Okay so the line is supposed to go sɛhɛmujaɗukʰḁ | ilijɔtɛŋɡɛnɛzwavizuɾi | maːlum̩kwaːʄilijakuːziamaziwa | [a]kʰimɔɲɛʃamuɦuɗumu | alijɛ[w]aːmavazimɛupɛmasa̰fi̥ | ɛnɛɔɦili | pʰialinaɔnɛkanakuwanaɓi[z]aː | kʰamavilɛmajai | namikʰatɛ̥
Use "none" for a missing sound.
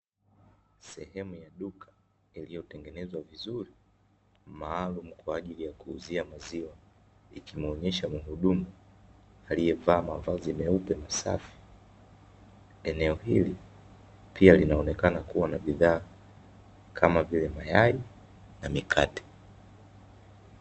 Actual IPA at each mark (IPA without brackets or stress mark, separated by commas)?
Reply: i, v, ð